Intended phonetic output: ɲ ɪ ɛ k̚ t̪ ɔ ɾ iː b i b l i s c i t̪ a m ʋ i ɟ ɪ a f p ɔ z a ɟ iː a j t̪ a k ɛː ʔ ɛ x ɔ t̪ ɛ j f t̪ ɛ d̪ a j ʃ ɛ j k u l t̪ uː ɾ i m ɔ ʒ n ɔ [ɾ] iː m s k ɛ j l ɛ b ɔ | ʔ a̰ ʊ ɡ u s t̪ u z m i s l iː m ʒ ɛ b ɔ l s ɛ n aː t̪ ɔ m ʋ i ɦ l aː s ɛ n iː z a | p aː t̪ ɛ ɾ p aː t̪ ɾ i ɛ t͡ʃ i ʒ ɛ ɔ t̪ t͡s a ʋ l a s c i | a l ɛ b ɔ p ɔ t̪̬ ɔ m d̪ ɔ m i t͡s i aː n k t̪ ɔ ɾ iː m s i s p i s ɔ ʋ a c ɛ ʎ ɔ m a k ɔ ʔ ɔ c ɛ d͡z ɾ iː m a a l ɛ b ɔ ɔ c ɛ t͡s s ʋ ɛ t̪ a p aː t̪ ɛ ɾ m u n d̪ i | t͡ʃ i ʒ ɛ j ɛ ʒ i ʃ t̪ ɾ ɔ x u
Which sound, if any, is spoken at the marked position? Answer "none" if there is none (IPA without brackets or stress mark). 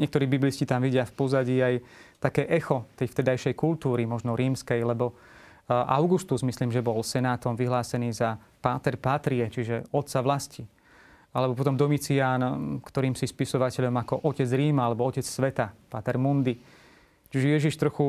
ɾ